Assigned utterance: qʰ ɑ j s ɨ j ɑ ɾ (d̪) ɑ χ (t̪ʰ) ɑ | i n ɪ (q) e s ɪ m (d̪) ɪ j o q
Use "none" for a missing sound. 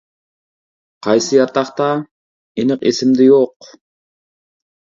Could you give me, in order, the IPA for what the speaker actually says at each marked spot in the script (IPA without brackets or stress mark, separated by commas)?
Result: t̪, t̪, q, d̪